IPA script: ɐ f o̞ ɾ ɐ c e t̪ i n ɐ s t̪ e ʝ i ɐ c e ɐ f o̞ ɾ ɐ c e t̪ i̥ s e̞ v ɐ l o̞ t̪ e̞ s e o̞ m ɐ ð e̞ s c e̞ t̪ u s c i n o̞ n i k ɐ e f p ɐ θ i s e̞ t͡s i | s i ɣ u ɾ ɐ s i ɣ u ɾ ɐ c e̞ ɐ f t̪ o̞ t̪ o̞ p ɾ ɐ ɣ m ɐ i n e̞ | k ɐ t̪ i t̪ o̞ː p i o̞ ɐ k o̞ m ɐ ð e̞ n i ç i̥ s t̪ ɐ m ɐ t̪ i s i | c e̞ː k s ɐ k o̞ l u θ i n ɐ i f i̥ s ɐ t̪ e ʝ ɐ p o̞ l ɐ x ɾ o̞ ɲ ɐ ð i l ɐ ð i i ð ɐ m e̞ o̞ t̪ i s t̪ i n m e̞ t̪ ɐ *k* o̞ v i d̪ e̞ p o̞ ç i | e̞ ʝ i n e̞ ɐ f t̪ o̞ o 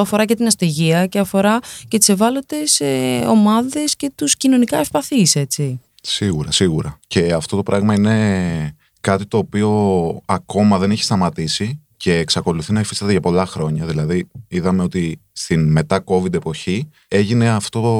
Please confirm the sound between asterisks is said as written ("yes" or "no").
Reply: yes